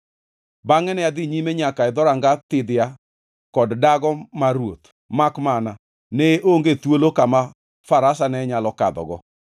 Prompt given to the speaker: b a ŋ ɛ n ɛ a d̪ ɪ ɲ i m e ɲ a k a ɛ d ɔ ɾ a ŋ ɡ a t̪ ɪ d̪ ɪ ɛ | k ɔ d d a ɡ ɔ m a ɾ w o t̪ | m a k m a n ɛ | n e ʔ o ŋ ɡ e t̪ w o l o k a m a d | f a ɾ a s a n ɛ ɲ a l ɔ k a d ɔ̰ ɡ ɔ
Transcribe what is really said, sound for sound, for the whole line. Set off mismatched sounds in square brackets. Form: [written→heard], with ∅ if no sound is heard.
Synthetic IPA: b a ŋ ɛ n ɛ a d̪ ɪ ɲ i m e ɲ a k a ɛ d ɔ ɾ a ŋ ɡ a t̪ ɪ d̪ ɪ [ɛ→a] | k ɔ d d a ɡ ɔ m a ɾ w o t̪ | m a k m a n [ɛ→a] | n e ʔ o ŋ ɡ e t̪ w o l o k a m a [d→∅] | f a ɾ a s a n ɛ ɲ a l ɔ k a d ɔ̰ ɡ ɔ